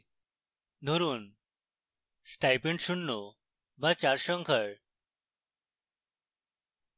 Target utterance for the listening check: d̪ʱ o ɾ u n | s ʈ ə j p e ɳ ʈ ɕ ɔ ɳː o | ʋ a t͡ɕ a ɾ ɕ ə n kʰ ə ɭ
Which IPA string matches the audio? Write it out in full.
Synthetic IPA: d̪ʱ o ɾ uː n | s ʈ a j p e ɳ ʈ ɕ u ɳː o | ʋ a t͡ɕ a ɾ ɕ ə ŋ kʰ ə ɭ

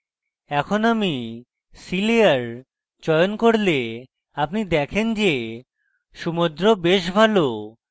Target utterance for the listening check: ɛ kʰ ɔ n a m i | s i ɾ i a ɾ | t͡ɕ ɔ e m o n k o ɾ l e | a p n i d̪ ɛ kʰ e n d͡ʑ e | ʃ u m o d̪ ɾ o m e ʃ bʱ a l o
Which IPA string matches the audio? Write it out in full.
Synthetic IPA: ɛ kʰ o n a m i | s i l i a ɾ | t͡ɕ ɔ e o n k o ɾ l e | a p n i d̪ ɛ kʰ e n d͡ʑ e | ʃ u m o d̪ ɾ o b e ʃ bʱ a l o

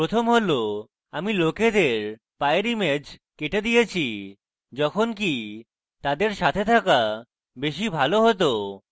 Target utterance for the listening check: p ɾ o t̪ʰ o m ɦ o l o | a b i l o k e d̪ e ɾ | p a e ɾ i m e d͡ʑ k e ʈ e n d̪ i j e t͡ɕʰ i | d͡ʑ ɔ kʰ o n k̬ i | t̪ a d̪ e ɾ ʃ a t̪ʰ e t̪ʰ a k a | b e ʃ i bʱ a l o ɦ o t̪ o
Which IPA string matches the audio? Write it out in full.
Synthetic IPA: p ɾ o t̪ʰ o m ɦ o l o | a m i l o k e d̪ e ɾ | p a e ɾ i m e d͡ʑ k e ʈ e d̪ i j e t͡ɕʰ i | d͡ʑ ɔ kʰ o n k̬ i | t̪ a d̪ e ɾ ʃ a t̪ʰ e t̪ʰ a k a | b e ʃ i bʱ a l o ɦ o t̪ o

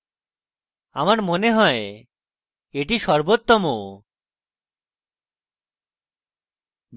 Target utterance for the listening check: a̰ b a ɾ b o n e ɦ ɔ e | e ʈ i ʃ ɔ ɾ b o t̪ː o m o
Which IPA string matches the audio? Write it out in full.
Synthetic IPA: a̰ m a ɾ m o n e ɦ ɔ e | e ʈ i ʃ ɔ ɾ b o t̪ː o m o

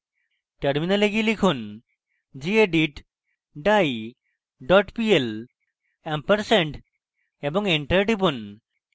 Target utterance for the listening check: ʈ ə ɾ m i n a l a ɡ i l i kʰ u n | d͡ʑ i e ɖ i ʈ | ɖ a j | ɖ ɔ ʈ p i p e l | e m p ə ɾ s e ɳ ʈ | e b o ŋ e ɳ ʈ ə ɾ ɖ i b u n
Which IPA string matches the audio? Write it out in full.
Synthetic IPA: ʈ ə ɾ m i n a l e ɡ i l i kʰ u n | d͡ʑ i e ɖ i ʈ | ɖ a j | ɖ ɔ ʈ p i e l | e m p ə ɾ s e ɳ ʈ | e b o ŋ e ɳ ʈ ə ɾ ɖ i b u n

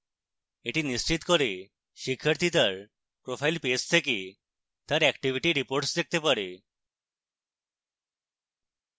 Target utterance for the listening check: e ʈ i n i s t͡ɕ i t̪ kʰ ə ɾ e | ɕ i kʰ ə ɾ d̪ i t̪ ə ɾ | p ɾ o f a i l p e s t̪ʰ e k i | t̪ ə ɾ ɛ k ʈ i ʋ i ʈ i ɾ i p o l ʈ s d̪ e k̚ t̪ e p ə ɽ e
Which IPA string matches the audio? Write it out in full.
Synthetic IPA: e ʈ i n i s t͡ɕ i t̪ k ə ɾ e | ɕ i kʰ ə ɾ t̪ i t̪ ə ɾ | p ɾ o f a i l p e s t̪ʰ e k i | t̪ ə ɾ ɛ k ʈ i ʋ i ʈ i ɾ i p o ɾ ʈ s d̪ e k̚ t̪ e p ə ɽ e

